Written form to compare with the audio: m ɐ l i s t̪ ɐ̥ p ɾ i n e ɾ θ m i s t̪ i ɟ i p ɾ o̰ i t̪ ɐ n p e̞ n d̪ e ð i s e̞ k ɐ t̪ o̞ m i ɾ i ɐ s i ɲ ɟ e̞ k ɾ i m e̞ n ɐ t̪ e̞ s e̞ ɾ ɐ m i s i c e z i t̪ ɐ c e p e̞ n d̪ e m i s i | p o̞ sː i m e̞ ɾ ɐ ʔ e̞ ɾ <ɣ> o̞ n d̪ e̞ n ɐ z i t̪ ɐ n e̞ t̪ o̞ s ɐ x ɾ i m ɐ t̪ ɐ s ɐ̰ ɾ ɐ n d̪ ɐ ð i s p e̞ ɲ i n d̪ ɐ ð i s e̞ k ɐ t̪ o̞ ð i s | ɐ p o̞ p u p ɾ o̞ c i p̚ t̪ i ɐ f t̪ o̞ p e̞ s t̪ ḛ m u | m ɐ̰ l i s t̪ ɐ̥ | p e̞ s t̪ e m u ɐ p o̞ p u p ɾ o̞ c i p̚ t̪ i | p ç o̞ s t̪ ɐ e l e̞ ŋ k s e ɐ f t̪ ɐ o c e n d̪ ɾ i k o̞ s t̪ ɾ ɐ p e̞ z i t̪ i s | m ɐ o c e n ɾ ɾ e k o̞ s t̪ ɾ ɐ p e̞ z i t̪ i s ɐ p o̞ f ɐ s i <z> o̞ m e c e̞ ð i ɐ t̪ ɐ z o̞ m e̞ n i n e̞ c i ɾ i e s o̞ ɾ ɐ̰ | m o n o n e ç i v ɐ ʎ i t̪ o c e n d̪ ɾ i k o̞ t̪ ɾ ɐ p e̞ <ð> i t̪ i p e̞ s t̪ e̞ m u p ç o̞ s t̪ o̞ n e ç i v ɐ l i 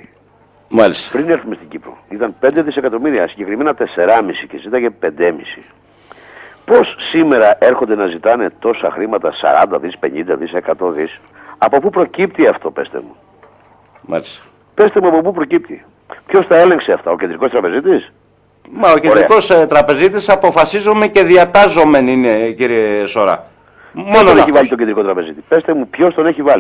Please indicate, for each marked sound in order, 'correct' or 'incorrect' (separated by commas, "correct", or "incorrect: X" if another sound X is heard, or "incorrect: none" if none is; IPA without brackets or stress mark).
incorrect: x, correct, incorrect: z